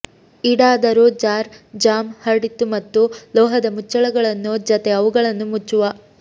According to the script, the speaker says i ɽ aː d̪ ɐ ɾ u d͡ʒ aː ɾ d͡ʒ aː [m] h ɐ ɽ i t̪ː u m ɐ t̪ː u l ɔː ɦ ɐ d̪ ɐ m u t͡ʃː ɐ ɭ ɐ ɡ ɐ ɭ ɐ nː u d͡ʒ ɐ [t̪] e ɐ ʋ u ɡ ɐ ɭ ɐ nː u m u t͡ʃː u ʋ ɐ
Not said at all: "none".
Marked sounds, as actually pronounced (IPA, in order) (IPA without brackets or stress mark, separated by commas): m, t̪